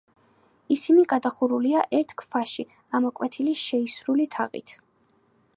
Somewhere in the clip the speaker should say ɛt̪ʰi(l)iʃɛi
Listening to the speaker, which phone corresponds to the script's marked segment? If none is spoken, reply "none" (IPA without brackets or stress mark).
l